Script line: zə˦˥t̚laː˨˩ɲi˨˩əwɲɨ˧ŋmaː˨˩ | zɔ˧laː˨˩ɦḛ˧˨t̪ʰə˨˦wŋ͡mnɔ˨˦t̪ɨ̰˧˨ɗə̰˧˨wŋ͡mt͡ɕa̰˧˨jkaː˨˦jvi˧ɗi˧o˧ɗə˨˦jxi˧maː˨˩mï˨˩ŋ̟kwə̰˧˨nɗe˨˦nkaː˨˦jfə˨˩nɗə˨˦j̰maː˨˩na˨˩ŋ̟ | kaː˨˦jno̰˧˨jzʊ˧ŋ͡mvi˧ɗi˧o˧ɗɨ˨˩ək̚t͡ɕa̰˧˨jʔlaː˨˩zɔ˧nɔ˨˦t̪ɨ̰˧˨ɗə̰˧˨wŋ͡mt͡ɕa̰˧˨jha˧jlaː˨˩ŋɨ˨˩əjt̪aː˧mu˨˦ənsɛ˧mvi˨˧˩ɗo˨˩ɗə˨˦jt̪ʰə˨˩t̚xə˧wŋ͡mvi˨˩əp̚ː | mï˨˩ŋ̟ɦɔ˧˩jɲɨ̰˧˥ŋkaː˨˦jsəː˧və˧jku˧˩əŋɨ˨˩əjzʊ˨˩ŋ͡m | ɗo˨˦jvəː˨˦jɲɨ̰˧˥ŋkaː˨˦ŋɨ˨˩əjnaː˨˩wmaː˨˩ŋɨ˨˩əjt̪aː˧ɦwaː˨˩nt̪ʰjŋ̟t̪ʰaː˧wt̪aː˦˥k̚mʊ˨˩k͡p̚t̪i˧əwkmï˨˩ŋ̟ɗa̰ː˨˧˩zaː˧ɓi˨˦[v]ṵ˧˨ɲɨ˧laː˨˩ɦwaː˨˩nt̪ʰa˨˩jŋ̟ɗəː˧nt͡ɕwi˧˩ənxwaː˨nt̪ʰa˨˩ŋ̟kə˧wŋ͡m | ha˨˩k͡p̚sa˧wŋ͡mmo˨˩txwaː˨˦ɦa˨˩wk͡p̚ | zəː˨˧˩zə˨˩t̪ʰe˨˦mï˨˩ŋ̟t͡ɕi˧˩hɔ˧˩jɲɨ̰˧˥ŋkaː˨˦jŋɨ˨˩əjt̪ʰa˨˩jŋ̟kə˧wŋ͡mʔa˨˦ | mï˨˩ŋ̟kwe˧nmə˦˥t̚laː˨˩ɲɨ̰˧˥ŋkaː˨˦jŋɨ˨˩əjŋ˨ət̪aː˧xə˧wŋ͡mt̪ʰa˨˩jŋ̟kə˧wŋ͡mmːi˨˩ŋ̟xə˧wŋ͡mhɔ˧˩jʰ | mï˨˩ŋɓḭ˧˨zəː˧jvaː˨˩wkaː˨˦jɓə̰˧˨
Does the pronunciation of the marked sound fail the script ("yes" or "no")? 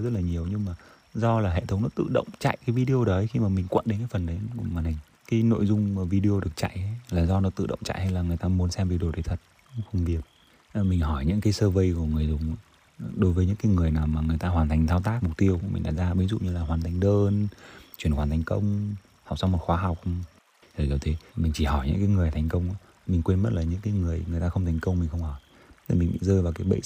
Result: yes